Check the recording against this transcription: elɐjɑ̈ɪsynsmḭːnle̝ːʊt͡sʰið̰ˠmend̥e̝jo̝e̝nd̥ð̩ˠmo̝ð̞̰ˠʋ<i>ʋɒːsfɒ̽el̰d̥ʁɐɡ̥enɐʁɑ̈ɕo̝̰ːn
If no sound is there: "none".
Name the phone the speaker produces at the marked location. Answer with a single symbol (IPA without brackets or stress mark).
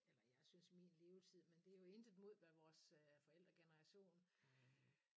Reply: æ